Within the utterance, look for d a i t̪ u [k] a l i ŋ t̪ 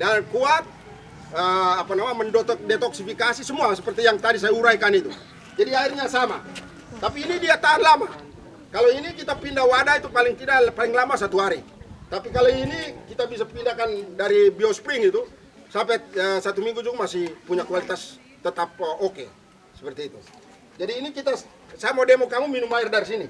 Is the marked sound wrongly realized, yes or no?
yes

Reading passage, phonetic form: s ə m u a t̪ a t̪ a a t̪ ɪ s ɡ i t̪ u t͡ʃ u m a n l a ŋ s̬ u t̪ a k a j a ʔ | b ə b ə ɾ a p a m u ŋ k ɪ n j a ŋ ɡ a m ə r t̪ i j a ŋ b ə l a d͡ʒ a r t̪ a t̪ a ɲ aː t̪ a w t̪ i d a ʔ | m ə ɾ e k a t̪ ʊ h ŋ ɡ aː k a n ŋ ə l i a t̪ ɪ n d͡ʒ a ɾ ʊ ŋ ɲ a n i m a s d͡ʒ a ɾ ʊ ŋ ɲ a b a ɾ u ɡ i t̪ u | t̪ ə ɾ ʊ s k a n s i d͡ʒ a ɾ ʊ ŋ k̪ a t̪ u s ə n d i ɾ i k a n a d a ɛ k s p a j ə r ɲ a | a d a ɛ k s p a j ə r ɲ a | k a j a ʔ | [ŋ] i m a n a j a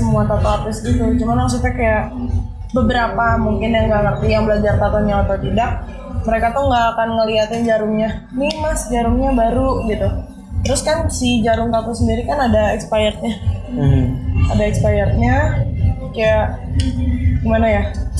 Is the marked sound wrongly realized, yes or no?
yes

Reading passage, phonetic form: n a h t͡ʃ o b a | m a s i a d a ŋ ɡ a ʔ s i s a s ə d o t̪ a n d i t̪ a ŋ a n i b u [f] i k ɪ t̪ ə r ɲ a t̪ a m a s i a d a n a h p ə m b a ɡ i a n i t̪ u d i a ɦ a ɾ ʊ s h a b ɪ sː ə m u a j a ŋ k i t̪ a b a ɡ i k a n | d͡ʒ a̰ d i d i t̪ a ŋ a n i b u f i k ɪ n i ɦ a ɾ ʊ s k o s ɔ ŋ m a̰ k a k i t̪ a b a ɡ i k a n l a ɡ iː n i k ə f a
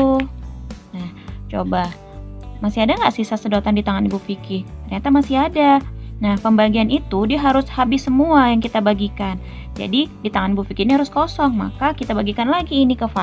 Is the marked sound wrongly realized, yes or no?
no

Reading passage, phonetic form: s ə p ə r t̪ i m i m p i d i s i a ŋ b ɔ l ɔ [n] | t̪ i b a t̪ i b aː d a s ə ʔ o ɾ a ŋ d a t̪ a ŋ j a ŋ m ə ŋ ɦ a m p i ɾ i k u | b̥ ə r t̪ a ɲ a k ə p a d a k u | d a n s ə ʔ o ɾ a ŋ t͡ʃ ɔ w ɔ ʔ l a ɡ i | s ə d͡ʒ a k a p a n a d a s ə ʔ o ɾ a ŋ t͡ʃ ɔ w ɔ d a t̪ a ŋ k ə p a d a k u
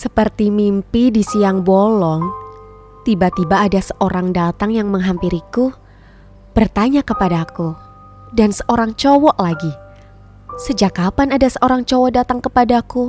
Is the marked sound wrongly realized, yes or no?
yes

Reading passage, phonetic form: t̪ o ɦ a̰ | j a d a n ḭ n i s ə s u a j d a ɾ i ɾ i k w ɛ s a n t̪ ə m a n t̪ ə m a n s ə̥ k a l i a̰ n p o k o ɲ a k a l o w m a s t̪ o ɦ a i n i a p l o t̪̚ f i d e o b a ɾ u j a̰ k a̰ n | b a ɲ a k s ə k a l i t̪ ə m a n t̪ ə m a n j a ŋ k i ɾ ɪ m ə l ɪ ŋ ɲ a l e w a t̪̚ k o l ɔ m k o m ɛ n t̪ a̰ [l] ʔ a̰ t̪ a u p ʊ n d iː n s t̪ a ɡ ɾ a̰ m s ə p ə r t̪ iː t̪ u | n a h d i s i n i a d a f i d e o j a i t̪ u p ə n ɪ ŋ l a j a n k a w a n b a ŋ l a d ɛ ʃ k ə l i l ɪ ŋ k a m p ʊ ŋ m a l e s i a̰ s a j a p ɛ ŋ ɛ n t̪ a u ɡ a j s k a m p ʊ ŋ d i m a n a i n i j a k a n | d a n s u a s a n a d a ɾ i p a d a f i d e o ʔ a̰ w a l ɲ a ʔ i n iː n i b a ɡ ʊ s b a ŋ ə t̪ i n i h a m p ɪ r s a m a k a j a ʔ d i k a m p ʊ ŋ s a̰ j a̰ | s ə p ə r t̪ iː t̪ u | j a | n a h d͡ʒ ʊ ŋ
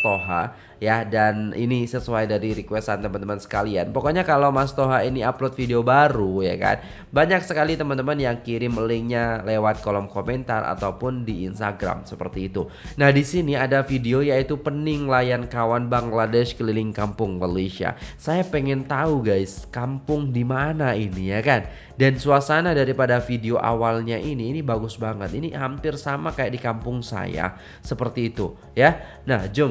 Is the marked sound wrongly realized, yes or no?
yes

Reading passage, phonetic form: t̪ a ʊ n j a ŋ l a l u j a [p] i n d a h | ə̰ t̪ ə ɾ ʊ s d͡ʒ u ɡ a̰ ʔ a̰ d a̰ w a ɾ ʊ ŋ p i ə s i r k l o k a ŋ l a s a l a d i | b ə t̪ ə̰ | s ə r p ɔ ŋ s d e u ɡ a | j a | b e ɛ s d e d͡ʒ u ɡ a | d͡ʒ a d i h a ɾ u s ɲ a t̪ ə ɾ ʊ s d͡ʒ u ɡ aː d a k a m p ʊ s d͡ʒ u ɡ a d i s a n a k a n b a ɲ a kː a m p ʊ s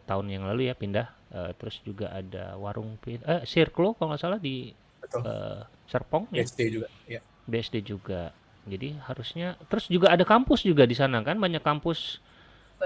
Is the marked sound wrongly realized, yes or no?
no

